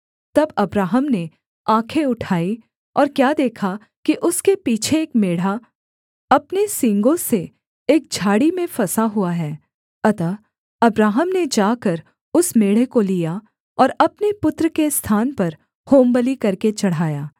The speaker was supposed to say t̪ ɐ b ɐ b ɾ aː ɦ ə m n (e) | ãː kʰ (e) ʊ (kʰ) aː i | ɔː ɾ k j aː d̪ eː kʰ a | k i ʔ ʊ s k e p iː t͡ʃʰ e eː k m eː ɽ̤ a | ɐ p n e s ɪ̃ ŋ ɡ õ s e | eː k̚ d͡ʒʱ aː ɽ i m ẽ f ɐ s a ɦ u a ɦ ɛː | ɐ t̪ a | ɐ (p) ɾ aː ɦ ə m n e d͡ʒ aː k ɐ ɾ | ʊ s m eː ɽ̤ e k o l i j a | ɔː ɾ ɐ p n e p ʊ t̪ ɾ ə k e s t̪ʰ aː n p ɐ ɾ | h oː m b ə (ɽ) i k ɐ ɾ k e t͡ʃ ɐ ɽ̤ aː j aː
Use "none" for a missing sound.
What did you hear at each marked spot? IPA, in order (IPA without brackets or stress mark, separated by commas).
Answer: e, e, ʈʰ, b, l